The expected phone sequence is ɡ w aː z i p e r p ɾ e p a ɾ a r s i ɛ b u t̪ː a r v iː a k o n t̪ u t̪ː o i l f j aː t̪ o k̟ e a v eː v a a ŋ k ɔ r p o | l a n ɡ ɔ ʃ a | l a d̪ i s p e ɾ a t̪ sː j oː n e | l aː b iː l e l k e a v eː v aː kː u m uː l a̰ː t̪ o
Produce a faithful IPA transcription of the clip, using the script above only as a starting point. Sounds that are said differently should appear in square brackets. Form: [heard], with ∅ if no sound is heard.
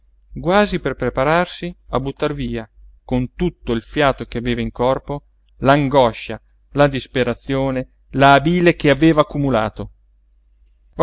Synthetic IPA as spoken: ɡ w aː z i p e r p ɾ e p a ɾ a r s i [a] b u t̪ː a r v iː a k o n t̪ u t̪ː o i l f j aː t̪ o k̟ e a v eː v a [i] ŋ k ɔ r p o | l a [ŋ] ɡ ɔ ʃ a | l a d̪ i s p e ɾ a t̪ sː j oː n e | l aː b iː l e [∅] k e a v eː v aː kː u m [u] l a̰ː t̪ o

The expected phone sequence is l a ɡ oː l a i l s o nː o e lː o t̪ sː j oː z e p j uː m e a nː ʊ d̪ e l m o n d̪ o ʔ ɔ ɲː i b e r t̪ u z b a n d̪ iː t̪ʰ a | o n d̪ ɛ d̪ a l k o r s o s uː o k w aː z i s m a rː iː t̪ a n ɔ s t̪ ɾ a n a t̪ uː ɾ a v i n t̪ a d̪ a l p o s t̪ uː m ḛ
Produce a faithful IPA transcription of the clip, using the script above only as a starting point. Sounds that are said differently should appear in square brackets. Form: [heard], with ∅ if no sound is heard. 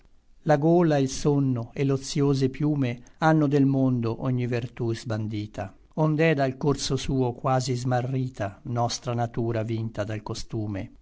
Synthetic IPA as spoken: l a ɡ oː l a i l s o nː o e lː o t̪ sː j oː z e p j uː m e a nː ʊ d̪ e l m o n d̪ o ʔ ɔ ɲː i [v] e r t̪ u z b a n d̪ iː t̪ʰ a | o n d̪ ɛ d̪ a l k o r s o s uː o k w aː z i [z] m a rː iː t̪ a n ɔ s t̪ ɾ a n a t̪ uː ɾ a v i n t̪ a d̪ a l [k] o s t̪ uː m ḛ

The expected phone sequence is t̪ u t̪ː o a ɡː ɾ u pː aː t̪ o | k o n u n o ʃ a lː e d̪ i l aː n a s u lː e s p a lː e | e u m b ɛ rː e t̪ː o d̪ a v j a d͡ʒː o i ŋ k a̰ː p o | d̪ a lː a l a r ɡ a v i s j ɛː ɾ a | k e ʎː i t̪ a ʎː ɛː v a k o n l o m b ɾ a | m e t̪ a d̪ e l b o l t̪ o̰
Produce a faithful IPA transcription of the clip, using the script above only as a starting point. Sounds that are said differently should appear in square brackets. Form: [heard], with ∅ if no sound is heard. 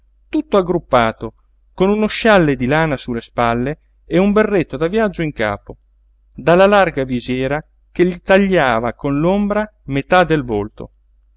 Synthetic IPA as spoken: t̪ u t̪ː o a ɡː ɾ u pː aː t̪ o | k o n u n o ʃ a lː e d̪ i l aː n a s u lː e s p a lː e | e u m b [e] rː e t̪ː o d̪ a v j a d͡ʒː o i ŋ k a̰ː p o | d̪ a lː a l a r ɡ a v i [z] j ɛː ɾ a | k e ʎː i t̪ a ʎː [aː] v a k o n l o m b ɾ a | m e t̪ a d̪ e l [v] o l t̪ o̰

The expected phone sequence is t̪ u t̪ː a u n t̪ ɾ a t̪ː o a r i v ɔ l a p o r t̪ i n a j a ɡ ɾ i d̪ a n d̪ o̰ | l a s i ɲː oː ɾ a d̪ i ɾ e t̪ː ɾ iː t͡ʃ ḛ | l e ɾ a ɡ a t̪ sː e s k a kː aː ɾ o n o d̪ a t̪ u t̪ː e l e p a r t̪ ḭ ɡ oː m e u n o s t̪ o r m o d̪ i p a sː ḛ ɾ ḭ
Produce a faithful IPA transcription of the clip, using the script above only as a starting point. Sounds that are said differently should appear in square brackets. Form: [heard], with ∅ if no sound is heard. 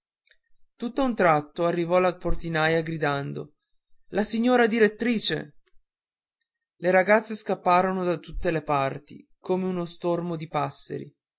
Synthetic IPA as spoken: t̪ u t̪ː a u n t̪ ɾ a t̪ː o a [rː] i v ɔ l a p o r t̪ i n a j a ɡ ɾ i d̪ a n d̪ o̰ | l a s i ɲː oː ɾ a d̪ i ɾ e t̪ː ɾ iː t͡ʃ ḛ | l e ɾ a ɡ a t̪ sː e s k a [pː] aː ɾ o n o d̪ a t̪ u t̪ː e l e p a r t̪ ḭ [k] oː m e u n o s t̪ o r m o d̪ i p a sː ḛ ɾ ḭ

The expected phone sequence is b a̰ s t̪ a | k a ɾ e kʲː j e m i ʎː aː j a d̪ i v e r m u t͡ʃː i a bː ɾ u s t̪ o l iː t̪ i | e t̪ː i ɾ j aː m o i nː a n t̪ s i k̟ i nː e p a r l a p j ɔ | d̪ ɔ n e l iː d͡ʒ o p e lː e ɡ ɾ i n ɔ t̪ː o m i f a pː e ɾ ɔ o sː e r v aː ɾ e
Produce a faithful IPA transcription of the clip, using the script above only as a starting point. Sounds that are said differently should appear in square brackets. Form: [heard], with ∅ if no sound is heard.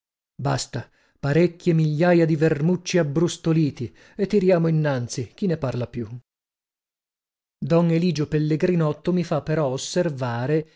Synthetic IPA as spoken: b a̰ s t̪ a | [p] a ɾ e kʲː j e m i ʎː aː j a d̪ i v e r m u t͡ʃː i a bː ɾ u s t̪ o l iː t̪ i | e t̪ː i ɾ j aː m o i nː a n t̪ s i k̟ i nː e p a r l a p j [u] | d̪ ɔ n e l iː d͡ʒ o p e lː e ɡ ɾ i n ɔ t̪ː o m i f a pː e ɾ ɔ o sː e r v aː ɾ e

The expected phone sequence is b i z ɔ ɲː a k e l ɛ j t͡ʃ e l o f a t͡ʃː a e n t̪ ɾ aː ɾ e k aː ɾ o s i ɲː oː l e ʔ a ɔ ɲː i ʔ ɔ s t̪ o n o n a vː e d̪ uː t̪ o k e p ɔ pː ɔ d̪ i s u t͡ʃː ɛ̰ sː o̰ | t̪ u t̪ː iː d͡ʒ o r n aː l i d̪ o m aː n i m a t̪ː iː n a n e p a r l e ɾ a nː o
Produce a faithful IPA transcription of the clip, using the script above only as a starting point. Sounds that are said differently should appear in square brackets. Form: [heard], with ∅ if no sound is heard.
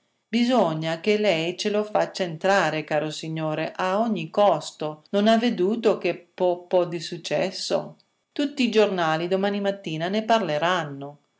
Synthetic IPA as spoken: b i z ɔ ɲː a k e l ɛ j t͡ʃ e l o f a t͡ʃː a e n t̪ ɾ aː ɾ e k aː ɾ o s i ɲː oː [ɾ] e ʔ a ɔ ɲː i [k] ɔ s t̪ o n o n a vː e d̪ uː t̪ o k e p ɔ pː ɔ d̪ i s u t͡ʃː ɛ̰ sː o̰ | t̪ u t̪ː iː d͡ʒ o r n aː l i d̪ o m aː n i m a t̪ː iː n a n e p a r l e ɾ a nː o

